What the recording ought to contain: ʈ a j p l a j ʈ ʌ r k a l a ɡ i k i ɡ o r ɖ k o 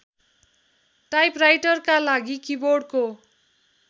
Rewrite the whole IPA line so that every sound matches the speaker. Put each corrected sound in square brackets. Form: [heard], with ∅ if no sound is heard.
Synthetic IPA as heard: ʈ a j p [r] a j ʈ ʌ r k a l a ɡ i k i [b] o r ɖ k o